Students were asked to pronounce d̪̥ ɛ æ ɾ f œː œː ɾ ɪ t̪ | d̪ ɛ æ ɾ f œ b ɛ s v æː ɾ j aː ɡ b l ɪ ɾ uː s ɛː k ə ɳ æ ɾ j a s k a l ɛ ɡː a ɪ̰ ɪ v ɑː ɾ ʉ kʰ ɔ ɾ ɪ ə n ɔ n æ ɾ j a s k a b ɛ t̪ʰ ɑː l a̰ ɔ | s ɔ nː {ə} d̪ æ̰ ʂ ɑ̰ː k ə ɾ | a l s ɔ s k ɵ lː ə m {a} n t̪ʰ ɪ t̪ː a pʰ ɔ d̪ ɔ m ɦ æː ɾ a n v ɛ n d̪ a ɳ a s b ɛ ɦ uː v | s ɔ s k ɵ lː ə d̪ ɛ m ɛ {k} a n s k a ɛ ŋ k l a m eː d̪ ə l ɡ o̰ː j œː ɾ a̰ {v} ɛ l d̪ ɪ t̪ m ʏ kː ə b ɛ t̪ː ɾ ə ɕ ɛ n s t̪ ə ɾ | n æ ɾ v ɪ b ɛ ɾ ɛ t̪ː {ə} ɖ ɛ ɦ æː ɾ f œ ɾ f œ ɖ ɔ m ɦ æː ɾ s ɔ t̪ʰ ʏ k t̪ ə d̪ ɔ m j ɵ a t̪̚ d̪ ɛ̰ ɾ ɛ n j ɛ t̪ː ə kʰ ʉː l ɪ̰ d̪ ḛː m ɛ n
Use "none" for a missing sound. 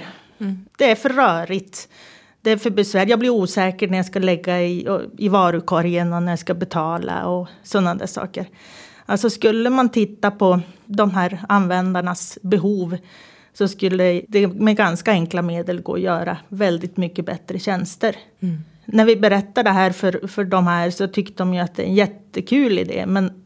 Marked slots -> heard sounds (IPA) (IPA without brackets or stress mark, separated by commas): a, a, ɡ, v, a